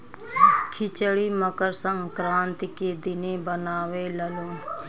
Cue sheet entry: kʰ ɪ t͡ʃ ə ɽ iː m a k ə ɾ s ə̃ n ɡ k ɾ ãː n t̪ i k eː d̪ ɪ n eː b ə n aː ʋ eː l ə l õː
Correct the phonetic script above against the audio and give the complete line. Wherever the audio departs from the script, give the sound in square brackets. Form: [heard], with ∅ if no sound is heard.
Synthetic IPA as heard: kʰ ɪ t͡ʃ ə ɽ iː m [ə] k ə ɾ s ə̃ [ŋ] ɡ k ɾ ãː n t̪ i k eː d̪ ɪ n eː b ə n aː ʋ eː l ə l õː